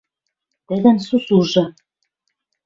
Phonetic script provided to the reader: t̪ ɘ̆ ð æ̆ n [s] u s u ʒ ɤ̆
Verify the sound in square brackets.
correct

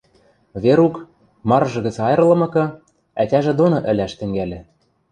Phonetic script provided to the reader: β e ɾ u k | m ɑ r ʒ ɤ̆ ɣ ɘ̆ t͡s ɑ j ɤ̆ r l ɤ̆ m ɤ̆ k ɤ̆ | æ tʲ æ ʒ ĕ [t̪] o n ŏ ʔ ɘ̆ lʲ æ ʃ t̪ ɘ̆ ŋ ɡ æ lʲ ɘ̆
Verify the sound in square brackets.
incorrect: d̪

